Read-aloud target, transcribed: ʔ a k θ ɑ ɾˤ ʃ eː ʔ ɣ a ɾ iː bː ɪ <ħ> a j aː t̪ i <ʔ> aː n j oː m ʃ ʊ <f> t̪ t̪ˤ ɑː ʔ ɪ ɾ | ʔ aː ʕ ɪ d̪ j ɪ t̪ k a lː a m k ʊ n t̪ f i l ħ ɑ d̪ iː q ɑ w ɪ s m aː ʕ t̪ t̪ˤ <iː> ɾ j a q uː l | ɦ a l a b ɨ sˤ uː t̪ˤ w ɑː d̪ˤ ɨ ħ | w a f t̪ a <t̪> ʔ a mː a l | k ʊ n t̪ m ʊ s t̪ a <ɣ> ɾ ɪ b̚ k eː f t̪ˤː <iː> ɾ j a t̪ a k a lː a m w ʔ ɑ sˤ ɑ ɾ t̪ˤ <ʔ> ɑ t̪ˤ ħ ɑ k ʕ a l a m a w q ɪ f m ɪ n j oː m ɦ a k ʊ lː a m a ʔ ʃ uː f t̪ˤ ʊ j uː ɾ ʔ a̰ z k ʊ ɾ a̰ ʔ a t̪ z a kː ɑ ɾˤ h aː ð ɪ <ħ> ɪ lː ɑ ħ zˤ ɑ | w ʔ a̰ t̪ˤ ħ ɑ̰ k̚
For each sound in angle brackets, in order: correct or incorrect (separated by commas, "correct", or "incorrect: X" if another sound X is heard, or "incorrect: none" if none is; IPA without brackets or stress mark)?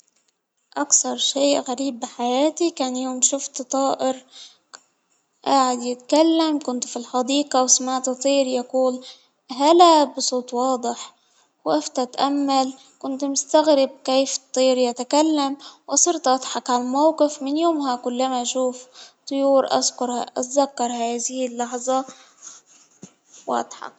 correct, incorrect: k, correct, correct, correct, correct, correct, correct, incorrect: h